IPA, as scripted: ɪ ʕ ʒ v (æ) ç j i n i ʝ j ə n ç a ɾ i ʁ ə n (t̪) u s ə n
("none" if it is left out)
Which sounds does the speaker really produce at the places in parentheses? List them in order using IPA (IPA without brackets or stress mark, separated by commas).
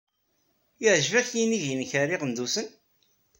æ, d̪